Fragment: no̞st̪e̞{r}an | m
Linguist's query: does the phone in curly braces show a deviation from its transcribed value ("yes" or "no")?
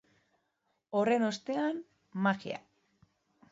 yes